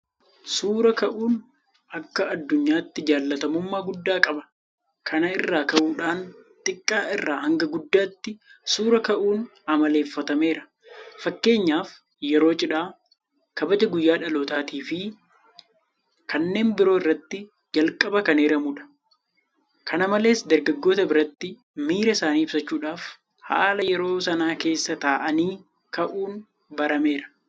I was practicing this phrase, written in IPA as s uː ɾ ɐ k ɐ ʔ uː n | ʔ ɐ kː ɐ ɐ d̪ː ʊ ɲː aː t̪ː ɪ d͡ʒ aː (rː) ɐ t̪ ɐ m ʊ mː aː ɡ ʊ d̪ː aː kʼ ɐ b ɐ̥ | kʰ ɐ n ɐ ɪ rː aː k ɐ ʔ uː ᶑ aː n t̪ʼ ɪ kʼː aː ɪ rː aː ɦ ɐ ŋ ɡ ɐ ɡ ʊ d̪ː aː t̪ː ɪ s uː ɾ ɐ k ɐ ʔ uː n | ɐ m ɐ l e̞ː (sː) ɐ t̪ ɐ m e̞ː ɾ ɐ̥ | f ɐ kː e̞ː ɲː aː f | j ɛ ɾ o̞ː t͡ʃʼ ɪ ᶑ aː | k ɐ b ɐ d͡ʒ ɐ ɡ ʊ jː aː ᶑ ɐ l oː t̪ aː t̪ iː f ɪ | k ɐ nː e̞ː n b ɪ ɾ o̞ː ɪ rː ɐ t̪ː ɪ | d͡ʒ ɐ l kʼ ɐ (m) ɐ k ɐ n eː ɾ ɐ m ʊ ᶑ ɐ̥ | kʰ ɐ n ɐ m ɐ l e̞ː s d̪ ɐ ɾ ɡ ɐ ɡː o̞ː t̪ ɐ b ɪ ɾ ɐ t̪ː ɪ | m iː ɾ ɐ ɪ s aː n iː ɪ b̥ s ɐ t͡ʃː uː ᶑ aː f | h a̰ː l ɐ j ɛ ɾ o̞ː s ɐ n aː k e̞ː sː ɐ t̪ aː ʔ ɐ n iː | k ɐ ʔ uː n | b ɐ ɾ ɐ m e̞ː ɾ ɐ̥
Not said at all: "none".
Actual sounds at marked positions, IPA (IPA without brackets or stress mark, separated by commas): lː, fː, b